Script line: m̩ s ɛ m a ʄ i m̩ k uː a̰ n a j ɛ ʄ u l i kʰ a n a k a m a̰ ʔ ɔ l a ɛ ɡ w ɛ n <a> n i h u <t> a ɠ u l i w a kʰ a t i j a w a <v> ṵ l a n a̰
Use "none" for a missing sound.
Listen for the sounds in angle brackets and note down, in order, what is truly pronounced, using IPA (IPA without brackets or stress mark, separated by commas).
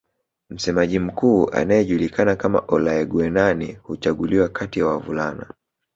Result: a, t͡ʃ, v